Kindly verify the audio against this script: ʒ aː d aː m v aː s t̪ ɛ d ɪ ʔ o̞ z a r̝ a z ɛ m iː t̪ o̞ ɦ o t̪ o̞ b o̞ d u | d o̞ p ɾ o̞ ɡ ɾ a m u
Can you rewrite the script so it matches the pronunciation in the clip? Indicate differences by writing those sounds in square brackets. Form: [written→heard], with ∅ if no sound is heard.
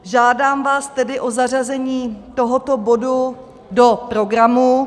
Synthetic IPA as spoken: ʒ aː d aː m v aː s t̪ ɛ d ɪ ʔ o̞ z a r̝ a z ɛ [m→ɲ] iː t̪ o̞ ɦ o t̪ o̞ b o̞ d u | d o̞ p ɾ o̞ ɡ ɾ a m u